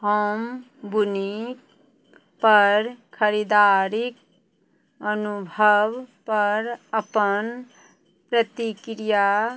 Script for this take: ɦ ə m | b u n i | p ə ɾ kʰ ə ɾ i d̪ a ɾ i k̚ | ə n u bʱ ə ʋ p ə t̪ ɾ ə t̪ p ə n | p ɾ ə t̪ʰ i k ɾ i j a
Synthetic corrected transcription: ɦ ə m | b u n i | p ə ɾ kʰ ə ɾ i d̪ a ɾ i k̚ | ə n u bʱ ə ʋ p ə ɾ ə p ə n | p ɾ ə t̪ i k ɾ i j a